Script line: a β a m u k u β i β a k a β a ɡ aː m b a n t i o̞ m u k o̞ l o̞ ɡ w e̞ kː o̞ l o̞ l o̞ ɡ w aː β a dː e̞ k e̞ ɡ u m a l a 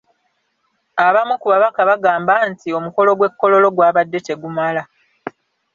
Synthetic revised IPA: a β a m u k u β a β a k a β a ɡ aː m b a n t i o̞ m u k o̞ l o̞ ɡ w e̞ kː o̞ l o̞ l o̞ ɡ w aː β a dː e̞ t e̞ ɡ u m a l a